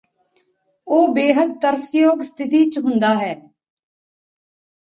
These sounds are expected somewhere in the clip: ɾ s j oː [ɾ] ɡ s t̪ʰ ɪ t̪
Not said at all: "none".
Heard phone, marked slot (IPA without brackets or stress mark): none